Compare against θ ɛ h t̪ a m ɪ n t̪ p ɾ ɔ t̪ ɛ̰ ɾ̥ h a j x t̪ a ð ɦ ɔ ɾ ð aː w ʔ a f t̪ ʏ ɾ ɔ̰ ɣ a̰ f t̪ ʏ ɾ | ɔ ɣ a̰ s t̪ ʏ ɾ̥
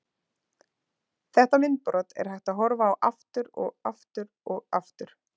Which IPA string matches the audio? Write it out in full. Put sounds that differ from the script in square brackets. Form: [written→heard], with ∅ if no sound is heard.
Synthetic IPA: θ ɛ h t̪ a m ɪ n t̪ p ɾ ɔ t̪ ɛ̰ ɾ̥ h a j [x→h] t̪ a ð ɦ ɔ ɾ [ð→v] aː w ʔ a f t̪ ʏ ɾ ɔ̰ ɣ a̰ f t̪ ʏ ɾ | ɔ ɣ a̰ [s→f] t̪ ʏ ɾ̥

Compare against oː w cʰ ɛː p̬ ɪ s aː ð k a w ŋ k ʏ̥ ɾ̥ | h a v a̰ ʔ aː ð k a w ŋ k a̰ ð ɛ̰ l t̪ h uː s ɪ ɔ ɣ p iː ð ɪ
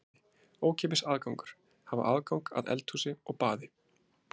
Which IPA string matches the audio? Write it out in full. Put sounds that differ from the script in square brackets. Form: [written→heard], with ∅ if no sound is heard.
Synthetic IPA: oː w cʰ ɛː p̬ ɪ s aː ð k a w ŋ k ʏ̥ ɾ̥ | h a v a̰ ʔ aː ð k a w ŋ k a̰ ð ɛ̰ l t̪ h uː s ɪ ɔ ɣ p [iː→aː] ð ɪ

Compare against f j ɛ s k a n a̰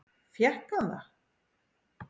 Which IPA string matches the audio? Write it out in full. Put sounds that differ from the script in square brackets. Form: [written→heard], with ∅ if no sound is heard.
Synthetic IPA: f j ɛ [s→h] k a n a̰

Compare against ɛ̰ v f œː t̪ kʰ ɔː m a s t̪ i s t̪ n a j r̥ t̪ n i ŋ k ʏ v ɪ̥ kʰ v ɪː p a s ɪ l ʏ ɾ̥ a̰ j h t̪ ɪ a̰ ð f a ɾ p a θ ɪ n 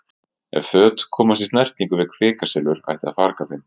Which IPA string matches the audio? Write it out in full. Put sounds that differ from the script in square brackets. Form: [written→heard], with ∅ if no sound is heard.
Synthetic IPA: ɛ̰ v f œː t̪ kʰ ɔː m a s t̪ i s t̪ n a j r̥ t̪ n i ŋ k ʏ v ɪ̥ kʰ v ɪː [p→k] a s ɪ l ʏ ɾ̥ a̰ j h t̪ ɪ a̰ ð f a ɾ [p→k] a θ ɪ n

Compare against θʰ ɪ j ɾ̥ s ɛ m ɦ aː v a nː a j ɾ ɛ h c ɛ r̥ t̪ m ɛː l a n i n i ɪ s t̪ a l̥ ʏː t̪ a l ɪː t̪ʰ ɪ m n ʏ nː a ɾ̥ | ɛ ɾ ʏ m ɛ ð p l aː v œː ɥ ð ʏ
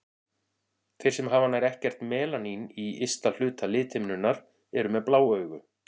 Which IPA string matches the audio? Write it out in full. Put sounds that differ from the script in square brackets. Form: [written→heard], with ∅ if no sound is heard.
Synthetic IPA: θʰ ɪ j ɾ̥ s ɛ m ɦ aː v a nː a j ɾ ɛ h c ɛ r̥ t̪ m ɛː l a n i n i ɪ s t̪ a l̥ ʏː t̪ a l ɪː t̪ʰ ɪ m n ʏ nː a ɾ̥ | ɛ ɾ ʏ m ɛ ð p l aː [v→w] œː ɥ [ð→ɣ] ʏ

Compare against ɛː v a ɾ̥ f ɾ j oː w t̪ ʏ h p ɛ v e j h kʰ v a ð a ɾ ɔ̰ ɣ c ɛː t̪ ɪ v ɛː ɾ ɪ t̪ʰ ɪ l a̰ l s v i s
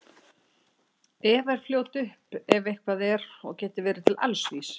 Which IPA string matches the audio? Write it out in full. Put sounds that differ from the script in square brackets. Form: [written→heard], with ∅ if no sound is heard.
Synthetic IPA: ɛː v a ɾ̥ f [ɾ→l] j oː w t̪ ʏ h p ɛ v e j h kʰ v a ð [a→ɛ] ɾ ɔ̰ ɣ c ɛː t̪ ɪ v ɛː ɾ ɪ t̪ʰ ɪ l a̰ l s v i s

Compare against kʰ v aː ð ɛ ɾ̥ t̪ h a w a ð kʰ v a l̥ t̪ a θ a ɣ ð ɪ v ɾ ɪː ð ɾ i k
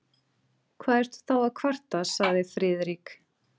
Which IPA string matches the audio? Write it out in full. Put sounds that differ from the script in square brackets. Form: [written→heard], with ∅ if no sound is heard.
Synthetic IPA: kʰ v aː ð ɛ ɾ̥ t̪ [h→θ] a w a ð kʰ v a [l̥→r̥] t̪ a [θ→s] a ɣ ð ɪ [v→f] ɾ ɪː ð ɾ i k

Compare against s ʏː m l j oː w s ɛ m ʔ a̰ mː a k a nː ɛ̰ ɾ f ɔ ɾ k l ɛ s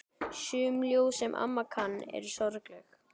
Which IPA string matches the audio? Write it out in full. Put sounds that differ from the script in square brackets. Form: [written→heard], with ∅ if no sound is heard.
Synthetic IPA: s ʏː m l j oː w s ɛ m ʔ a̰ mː a [k→kʰ] a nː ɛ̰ ɾ [f→s] ɔ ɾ k l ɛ [s→x]

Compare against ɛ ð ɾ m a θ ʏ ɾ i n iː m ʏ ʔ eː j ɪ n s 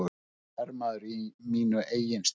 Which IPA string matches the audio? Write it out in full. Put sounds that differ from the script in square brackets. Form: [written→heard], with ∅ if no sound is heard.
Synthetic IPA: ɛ [ð→∅] ɾ m a [θ→ð] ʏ ɾ i [n→m] iː [m→n] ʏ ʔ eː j ɪ n s

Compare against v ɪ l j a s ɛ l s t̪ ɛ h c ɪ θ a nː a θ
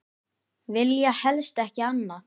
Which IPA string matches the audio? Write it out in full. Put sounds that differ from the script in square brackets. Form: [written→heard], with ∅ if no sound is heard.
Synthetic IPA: v ɪ l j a [s→h] ɛ l s t̪ ɛ h c ɪ [θ→∅] a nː a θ

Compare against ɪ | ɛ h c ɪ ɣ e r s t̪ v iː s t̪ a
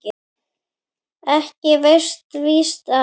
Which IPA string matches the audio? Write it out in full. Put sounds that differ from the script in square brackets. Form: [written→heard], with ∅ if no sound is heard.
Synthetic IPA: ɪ | ɛ h c ɪ [ɣ→v] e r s t̪ v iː s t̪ a

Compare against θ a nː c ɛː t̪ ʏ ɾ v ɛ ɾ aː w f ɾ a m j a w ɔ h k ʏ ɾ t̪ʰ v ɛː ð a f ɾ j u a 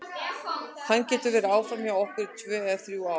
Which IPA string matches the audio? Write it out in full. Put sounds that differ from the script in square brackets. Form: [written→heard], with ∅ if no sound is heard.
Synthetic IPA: θ a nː c ɛː t̪ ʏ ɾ v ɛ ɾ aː w f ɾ a m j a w ɔ h k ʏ ɾ t̪ʰ v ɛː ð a [f→θ] ɾ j u a

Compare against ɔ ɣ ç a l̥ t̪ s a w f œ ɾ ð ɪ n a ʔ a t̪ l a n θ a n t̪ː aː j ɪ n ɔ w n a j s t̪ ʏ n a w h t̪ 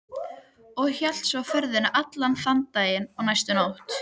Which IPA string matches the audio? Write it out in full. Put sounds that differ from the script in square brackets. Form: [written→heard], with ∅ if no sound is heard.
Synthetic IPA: ɔ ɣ ç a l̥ t̪ s a w f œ ɾ ð ɪ n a ʔ a t̪ l a n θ a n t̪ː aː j ɪ n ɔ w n a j s t̪ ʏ n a w h t̪

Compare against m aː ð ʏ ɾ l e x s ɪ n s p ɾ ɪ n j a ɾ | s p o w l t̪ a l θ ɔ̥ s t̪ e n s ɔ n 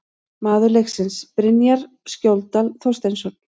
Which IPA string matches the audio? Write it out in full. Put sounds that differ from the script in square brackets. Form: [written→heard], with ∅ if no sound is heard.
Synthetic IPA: m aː ð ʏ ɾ l e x s ɪ n s p ɾ ɪ n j a ɾ | s [p→c] o w l t̪ a l θ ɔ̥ s t̪ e n s ɔ n

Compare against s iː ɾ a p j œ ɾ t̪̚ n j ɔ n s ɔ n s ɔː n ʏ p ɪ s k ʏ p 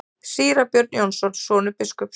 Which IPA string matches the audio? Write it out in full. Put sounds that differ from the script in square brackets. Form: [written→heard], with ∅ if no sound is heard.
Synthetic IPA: s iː ɾ a p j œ ɾ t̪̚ n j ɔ n s ɔ n s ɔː n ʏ p ɪ s k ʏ p

